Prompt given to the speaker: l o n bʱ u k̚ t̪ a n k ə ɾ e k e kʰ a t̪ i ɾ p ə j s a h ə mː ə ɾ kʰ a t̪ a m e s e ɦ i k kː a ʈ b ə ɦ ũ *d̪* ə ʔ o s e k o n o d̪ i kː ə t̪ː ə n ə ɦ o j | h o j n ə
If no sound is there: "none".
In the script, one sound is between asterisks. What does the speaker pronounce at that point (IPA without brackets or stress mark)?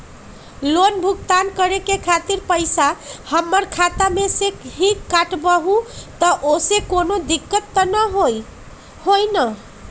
t̪